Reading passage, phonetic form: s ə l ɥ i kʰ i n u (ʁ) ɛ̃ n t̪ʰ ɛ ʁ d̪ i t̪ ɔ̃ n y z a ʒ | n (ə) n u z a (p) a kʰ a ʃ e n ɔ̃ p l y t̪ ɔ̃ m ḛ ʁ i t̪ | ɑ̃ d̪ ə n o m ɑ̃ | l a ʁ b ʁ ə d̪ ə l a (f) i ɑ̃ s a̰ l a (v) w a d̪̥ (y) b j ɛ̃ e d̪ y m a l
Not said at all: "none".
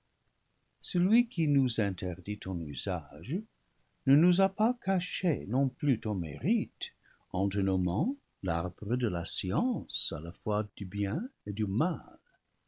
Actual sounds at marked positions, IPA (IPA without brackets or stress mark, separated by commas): z, ə, p, s, f, y